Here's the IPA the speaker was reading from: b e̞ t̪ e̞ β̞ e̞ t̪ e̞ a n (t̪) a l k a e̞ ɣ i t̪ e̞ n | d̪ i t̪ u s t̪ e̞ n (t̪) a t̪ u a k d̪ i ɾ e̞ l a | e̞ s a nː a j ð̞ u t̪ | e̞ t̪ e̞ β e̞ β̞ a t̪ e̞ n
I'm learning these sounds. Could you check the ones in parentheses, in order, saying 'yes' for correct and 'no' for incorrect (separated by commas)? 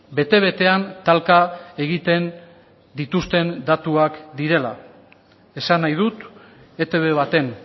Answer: yes, no